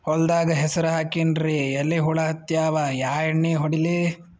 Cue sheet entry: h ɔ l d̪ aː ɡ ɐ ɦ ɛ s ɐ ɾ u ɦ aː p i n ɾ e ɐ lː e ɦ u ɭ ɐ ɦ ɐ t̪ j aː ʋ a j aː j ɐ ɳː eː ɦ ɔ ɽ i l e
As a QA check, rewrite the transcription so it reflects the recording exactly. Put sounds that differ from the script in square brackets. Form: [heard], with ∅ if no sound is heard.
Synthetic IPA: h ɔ l d̪ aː ɡ ɐ ɦ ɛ s ɐ ɾ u ɦ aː [k] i n ɾ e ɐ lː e ɦ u ɭ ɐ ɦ ɐ t̪ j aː ʋ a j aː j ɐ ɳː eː ɦ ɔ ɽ i l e